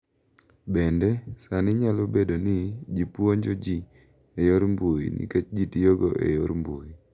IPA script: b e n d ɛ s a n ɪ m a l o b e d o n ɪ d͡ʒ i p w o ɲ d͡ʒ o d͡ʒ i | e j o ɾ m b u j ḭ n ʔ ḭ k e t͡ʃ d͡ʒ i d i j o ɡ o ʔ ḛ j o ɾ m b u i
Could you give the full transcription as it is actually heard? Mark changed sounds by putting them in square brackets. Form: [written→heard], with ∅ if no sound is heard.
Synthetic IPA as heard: b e n d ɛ s a n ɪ [m→ɲ] a l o b e d o n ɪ d͡ʒ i p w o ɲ d͡ʒ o d͡ʒ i | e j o ɾ m b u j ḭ n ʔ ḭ k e t͡ʃ d͡ʒ i [d→t] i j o ɡ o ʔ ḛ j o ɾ m b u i

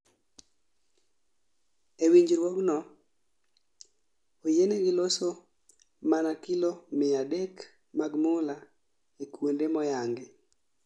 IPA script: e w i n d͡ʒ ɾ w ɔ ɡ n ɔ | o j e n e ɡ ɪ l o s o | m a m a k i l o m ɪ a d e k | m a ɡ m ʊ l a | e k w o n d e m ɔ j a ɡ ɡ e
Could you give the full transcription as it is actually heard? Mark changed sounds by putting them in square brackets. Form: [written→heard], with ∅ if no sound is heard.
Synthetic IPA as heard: e w i [n→ɲ] d͡ʒ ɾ w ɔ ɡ n ɔ | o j e n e ɡ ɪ l o s o | m a [m→n] a k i l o m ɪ a d e k | m a ɡ m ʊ l a | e k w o n d e m ɔ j a [ɡ→ŋ] ɡ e

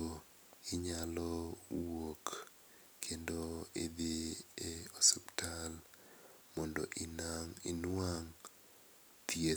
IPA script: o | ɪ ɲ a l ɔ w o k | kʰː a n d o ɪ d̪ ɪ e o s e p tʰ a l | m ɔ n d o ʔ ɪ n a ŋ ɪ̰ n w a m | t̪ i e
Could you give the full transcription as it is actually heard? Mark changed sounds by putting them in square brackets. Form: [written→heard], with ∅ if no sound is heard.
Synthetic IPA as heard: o | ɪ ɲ a l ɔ w o k | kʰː [a→e] n d o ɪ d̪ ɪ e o s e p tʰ a l | m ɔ n d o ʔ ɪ n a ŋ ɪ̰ n w a [m→ŋ] | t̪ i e

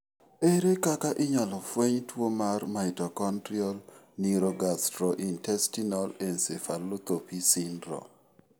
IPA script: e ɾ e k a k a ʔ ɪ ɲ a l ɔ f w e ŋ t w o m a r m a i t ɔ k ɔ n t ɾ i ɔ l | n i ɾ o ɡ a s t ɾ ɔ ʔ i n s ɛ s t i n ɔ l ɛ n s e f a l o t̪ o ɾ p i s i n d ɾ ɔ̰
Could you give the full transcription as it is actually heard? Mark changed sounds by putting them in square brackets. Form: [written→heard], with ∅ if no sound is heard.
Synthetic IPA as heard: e ɾ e k a k a ʔ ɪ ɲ a l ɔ f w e [ŋ→ɲ] t w o m a r m a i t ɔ k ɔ n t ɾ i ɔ l | n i ɾ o ɡ a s t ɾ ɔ ʔ i n [s→t] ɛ s t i n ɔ l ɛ n s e f a l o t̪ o [ɾ→∅] p i s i n d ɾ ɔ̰

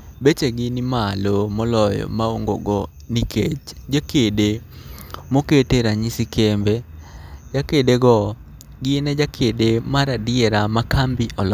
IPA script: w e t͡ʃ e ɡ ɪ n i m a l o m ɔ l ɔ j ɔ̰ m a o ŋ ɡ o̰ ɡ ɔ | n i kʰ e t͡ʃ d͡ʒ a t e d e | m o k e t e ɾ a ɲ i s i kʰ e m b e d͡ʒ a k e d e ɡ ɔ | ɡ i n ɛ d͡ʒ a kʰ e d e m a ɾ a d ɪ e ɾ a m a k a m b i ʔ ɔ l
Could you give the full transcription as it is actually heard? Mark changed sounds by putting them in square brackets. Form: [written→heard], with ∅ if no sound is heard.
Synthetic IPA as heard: [w→b] e t͡ʃ e ɡ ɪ n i m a l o m ɔ l ɔ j ɔ̰ m a o ŋ ɡ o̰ ɡ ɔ | n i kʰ e t͡ʃ d͡ʒ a [t→k] e d e | m o k e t e ɾ a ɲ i s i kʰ e m b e d͡ʒ a k e d e ɡ ɔ | ɡ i n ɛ d͡ʒ a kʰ e d e m a ɾ a d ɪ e ɾ a m a k a m b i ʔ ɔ l

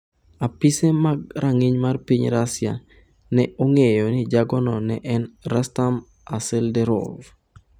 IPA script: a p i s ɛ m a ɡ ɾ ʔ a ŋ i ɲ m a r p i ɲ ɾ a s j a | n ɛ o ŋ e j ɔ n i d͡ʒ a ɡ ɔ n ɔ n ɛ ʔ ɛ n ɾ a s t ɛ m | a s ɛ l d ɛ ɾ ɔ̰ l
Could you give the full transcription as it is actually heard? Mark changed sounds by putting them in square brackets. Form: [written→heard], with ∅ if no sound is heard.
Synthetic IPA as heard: a p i s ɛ m a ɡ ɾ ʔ a ŋ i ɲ m a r p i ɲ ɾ a s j a | n ɛ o ŋ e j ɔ n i d͡ʒ a ɡ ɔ n ɔ n ɛ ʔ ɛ n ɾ a s t [ɛ→a] m | a s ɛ l d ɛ ɾ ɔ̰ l

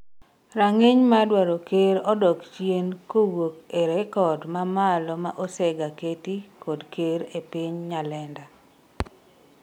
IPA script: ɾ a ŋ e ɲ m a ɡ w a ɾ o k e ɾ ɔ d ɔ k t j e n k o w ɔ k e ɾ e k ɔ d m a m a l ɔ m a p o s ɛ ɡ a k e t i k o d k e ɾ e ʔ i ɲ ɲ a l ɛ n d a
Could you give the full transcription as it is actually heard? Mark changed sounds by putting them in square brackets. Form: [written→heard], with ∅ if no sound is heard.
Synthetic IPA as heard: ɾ a ŋ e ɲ m a [ɡ→d] w a ɾ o k e ɾ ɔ d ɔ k [t→t͡ʃ] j e n k o w [ɔ→o] k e ɾ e k ɔ d m a m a l ɔ m a [p→ʔ] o s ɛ ɡ a k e t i k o d k e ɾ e [ʔ→p] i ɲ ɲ a l ɛ n d a

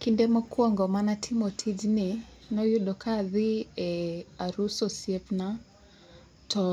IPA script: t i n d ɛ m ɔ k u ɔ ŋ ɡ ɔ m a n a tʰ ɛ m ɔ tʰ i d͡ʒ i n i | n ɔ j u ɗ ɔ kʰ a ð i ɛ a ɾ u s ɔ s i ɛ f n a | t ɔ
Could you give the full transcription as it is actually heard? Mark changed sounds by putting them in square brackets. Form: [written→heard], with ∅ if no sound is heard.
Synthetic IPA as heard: [t→k] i n d ɛ m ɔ k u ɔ ŋ ɡ ɔ m a n a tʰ [ɛ→i] m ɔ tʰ i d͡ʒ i n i | n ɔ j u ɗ ɔ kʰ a ð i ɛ a ɾ u s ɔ s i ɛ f n a | t ɔ

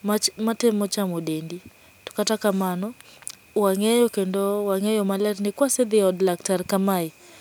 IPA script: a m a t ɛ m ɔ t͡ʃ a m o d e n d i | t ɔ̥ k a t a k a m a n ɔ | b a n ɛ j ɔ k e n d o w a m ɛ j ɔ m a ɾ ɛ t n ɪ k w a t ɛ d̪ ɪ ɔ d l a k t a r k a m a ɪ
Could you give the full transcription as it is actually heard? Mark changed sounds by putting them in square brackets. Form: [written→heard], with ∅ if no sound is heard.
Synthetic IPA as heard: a m a t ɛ m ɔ t͡ʃ a m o d e n d i | t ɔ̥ k a t a k a m a n ɔ | [b→w] a [n→ŋ] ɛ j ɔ k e n d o w a [m→ŋ] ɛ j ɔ m a [ɾ→l] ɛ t n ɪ k w a [t→s] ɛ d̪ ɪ ɔ d l a k t a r k a m a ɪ

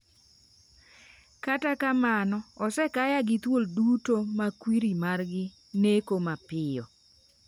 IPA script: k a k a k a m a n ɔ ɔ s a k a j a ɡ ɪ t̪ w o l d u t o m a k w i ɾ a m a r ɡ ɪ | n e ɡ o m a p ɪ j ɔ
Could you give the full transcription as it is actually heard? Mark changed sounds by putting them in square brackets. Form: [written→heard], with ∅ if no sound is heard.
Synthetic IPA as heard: k a [k→t] a k a m a n ɔ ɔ s [a→ɛ] k a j a ɡ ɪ t̪ w o l d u t o m a k w i ɾ [a→i] m a r ɡ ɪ | n e [ɡ→k] o m a p ɪ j ɔ

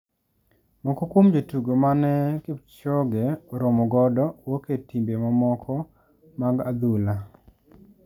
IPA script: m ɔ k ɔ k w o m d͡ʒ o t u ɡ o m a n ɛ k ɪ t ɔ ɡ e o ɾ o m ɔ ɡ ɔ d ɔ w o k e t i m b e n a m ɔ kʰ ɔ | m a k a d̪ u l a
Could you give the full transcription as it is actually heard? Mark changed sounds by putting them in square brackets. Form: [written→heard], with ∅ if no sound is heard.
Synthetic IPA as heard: m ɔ k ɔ k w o m d͡ʒ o t u ɡ o m a n ɛ k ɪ [t→t͡ʃ] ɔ ɡ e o ɾ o m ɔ ɡ ɔ d ɔ w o k e t i m b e [n→m] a m ɔ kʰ ɔ | m a [k→ɡ] a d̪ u l a

